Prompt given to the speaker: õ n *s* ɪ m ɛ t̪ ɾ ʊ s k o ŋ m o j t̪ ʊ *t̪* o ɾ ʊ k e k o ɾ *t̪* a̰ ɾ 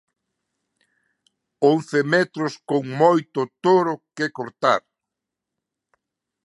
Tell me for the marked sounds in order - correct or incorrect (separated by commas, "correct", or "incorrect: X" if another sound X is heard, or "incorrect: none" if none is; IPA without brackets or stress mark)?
incorrect: θ, correct, correct